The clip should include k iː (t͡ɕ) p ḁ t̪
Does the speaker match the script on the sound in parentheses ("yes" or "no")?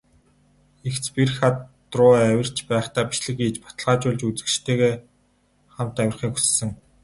yes